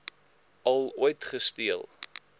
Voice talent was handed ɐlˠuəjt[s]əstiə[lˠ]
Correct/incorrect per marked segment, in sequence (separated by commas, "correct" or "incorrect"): incorrect, correct